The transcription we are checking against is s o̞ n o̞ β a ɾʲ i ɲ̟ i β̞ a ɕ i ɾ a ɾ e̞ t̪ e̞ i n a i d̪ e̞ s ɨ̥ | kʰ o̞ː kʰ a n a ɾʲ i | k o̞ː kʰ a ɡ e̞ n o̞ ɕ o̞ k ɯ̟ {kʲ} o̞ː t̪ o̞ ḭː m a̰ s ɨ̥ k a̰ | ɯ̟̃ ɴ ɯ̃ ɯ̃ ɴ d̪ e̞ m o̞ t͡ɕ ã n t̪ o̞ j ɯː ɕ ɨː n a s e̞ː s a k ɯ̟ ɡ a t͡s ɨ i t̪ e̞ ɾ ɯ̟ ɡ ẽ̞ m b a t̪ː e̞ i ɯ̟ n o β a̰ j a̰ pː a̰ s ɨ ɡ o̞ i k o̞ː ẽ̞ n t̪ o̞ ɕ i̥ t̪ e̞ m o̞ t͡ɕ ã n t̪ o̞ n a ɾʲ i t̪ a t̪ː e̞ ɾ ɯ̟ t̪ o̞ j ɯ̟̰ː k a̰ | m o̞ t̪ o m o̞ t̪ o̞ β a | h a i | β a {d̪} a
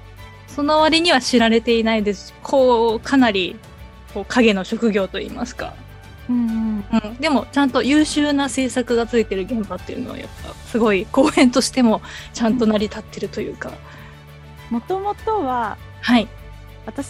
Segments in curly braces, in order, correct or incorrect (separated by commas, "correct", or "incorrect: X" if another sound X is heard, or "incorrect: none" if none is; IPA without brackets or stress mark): incorrect: ɡʲ, incorrect: t̪